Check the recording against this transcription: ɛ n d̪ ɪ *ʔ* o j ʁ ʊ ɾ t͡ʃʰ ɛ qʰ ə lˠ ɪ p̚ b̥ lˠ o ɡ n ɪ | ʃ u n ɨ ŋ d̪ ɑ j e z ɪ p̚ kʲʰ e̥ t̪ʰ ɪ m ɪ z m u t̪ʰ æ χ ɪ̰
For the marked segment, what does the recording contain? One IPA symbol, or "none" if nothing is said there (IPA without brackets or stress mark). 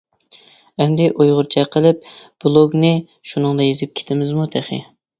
ʔ